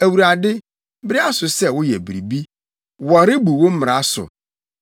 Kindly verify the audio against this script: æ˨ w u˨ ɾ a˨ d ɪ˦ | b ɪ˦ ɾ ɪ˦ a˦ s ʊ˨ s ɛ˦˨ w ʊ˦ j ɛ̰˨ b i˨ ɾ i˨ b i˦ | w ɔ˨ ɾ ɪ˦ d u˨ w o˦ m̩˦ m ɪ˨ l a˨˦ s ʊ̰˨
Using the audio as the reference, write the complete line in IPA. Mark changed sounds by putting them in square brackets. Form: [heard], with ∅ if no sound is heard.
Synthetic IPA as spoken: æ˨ w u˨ ɾ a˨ d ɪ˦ | b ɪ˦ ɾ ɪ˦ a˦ s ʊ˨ s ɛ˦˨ w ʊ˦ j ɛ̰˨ b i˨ ɾ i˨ b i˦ | w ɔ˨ ɾ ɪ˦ [b] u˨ w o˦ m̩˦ m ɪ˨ [ɾ] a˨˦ s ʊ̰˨